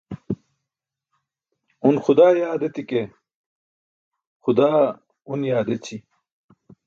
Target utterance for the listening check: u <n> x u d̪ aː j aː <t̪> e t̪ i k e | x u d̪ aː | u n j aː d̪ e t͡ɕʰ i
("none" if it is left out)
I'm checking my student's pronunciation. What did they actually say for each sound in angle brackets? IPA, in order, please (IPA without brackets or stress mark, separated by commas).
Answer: n, d̪